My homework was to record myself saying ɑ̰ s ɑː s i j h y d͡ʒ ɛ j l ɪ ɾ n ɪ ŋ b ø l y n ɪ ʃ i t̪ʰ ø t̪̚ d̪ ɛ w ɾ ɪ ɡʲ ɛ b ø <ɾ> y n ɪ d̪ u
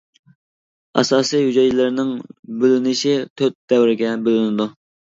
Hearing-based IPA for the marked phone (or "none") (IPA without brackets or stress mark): l